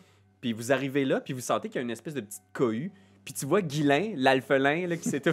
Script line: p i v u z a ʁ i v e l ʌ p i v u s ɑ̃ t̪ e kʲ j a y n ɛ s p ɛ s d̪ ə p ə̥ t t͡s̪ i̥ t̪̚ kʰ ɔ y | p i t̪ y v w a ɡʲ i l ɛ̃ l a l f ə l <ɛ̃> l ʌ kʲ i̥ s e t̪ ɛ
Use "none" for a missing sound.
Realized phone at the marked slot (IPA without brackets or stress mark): ɛ̃